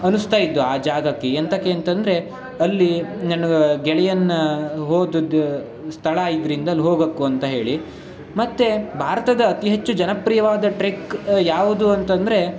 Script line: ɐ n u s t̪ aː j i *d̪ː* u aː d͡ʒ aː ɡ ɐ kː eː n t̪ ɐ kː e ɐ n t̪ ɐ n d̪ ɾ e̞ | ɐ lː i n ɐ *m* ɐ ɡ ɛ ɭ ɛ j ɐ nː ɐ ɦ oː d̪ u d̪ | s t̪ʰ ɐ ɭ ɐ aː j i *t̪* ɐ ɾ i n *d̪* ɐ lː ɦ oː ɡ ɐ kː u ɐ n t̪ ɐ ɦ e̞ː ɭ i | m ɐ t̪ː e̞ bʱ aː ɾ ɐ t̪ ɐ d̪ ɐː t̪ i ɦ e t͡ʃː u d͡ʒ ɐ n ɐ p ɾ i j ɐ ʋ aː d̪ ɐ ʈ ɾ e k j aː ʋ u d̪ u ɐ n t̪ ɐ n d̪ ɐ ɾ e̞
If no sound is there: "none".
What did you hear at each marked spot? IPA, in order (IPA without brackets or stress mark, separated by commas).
d̪ː, n, d̪, d̪